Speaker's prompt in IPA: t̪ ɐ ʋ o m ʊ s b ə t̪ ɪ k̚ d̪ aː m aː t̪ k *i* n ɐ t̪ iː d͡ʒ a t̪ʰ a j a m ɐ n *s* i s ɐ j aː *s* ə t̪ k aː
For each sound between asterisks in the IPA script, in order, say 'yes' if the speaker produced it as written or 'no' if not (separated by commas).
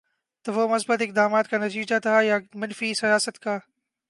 no, no, yes